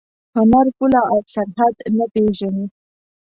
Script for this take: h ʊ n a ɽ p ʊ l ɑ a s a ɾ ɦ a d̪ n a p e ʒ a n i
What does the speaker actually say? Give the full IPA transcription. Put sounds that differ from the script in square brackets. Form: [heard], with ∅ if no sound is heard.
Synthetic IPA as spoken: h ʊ n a [ɾ] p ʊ l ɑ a s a ɾ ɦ a d̪ n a p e ʒ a n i